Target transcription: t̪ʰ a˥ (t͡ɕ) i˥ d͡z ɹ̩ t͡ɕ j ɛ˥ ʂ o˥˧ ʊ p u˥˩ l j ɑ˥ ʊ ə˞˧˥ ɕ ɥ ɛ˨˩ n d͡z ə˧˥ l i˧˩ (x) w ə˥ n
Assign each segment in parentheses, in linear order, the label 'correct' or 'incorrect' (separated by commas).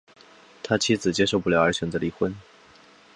incorrect, correct